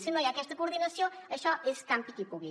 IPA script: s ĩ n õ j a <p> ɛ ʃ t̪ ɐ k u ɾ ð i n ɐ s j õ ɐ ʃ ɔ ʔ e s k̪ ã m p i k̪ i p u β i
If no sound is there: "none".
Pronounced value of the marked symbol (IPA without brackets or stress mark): k